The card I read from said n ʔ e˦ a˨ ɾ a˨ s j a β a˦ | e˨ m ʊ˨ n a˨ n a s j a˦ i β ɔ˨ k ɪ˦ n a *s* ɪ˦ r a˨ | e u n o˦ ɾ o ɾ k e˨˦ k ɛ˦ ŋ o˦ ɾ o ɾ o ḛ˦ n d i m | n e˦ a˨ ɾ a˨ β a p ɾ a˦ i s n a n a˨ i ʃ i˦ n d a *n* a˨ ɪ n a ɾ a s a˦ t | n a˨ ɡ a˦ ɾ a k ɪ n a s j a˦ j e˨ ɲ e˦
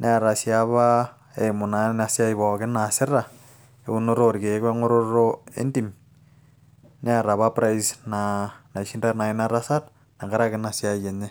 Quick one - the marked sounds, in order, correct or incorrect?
correct, correct

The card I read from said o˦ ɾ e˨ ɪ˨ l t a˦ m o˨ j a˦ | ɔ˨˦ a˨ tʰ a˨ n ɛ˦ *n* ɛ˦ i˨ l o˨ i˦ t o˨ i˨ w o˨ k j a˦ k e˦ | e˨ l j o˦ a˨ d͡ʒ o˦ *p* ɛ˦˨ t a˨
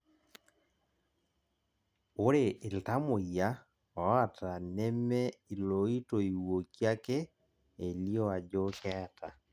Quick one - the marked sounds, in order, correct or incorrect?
incorrect, incorrect

